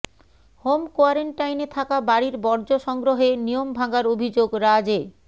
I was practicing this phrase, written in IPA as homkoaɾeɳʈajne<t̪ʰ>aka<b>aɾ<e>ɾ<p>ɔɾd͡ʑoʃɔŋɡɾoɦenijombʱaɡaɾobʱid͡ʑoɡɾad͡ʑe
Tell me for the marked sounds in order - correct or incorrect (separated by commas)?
correct, correct, incorrect, incorrect